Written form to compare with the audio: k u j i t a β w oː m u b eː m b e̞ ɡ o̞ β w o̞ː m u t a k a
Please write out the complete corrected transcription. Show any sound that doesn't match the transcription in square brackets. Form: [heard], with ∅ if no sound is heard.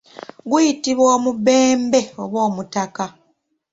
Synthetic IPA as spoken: [ɡ] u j i t [i] β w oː m u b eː m b e̞ [∅] o̞ β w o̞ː m u t a k a